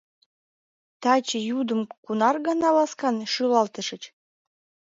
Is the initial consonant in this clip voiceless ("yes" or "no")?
yes